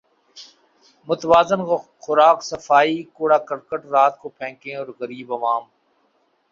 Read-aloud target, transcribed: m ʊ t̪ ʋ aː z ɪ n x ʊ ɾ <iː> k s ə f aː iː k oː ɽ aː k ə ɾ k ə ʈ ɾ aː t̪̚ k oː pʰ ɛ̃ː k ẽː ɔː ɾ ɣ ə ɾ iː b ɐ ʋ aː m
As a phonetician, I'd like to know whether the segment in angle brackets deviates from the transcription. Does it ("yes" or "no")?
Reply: yes